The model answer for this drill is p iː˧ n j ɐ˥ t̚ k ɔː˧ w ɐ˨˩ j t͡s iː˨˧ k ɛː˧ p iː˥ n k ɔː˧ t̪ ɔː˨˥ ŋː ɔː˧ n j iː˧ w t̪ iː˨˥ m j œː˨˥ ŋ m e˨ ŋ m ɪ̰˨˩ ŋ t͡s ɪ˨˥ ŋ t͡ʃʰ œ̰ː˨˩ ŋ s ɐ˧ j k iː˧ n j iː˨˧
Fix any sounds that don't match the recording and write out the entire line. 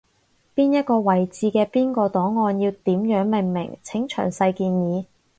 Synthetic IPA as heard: p iː˥ n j ɐ˥ t̚ k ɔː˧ w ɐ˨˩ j t͡s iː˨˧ k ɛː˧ p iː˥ n k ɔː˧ t̪ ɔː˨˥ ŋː ɔː˧ n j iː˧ w t̪ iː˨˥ m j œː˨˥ ŋ m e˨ ŋ m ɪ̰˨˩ ŋ t͡sʰ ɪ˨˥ ŋ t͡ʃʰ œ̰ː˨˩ ŋ s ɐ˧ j k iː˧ n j iː˨˧